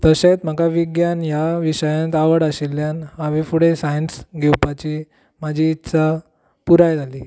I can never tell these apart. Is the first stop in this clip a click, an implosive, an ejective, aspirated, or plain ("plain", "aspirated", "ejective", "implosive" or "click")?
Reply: plain